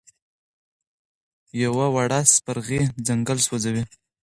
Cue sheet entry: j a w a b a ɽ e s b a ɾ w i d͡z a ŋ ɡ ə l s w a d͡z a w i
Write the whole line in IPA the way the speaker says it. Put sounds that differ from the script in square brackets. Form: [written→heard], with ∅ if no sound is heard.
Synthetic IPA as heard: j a w a [b→w] a ɽ [e→a] s [b→p] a ɾ [w→ɣ] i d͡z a ŋ ɡ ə l s w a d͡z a w i